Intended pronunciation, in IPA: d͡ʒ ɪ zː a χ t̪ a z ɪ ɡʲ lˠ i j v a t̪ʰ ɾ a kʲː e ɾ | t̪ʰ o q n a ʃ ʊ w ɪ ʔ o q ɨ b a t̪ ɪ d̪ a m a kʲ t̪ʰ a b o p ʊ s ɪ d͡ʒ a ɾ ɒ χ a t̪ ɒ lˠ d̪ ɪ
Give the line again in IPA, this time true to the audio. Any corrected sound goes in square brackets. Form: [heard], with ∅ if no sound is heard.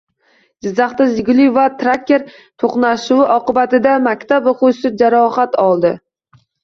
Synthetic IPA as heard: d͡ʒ ɪ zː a χ t̪ a z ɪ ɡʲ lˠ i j v a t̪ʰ ɾ a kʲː e ɾ | t̪ʰ o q n a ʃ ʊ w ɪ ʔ [ɒ] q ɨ b a t̪ ɪ d̪ a m a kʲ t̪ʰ a b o [q] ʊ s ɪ d͡ʒ a ɾ ɒ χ a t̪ ɒ lˠ d̪ ɪ